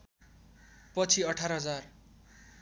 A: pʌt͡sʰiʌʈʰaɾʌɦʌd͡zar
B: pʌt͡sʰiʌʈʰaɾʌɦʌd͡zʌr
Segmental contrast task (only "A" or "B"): A